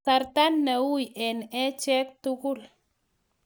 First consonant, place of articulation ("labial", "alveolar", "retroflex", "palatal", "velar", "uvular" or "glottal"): alveolar